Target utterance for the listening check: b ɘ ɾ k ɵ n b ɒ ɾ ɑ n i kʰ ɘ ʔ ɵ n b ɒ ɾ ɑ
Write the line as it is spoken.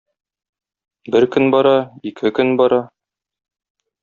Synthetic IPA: b ɘ ɾ k ɵ n b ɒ ɾ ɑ i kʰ ɘ k ɵ n b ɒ ɾ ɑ